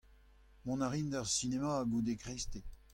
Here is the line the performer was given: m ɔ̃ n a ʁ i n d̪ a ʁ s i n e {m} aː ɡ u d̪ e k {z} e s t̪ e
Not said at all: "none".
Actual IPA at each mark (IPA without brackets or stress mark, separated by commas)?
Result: m, ʁ